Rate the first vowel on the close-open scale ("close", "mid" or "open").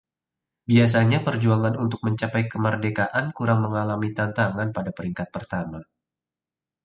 close